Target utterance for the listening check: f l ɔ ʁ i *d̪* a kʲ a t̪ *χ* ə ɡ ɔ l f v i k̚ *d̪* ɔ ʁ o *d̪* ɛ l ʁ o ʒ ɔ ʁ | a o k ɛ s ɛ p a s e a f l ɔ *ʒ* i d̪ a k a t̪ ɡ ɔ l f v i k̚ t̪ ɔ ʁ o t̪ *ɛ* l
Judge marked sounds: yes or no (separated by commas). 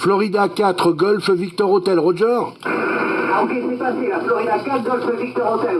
yes, yes, no, no, no, yes